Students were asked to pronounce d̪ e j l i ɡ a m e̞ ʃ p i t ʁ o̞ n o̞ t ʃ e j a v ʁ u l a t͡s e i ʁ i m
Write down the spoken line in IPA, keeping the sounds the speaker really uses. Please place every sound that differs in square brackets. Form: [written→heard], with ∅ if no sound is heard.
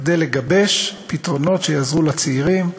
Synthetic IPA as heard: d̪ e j l [i→e] ɡ a [m→b] e̞ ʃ p i t ʁ o̞ n o̞ t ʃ e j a [v→z] ʁ u l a t͡s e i ʁ i m